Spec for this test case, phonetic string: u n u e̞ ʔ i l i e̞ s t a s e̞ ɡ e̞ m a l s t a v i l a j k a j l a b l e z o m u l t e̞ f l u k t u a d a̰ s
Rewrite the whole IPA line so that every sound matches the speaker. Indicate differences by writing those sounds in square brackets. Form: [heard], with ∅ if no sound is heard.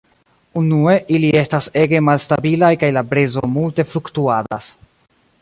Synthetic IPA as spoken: u n u e̞ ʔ i l i e̞ s t a s e̞ ɡ e̞ m a l s t a [b] i l a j k a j l a b [ɾ] e z o m u l t e̞ f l u k t u a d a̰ s